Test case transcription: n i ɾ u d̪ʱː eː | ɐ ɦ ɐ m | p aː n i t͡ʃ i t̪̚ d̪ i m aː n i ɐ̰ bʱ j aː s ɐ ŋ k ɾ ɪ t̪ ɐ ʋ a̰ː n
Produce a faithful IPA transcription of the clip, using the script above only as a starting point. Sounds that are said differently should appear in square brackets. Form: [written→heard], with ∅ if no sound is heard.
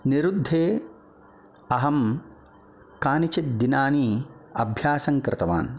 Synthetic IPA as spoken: n i ɾ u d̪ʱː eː | ɐ ɦ ɐ m | [p→k] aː n i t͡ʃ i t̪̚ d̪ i [m→n] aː n i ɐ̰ bʱ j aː s ɐ ŋ k ɾ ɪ t̪ ɐ ʋ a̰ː n